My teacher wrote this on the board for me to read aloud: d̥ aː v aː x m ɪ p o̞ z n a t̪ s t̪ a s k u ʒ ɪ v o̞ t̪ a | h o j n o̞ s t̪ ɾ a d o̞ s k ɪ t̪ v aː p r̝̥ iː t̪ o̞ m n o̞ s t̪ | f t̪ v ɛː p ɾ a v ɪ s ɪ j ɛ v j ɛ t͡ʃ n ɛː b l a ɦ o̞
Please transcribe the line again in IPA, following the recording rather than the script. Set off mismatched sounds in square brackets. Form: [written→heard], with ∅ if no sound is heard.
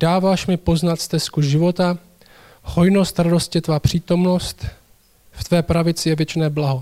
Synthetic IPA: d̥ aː v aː [x→ʃ] m ɪ p o̞ z n a t̪ s t̪ [a→ɛ] s k u ʒ ɪ v o̞ t̪ a | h o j n o̞ s t̪ ɾ a d o̞ s [k→c] ɪ t̪ v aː p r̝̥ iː t̪ o̞ m n o̞ s t̪ | f t̪ v ɛː p ɾ a v ɪ [s→t͡s] ɪ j ɛ v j ɛ t͡ʃ n ɛː b l a ɦ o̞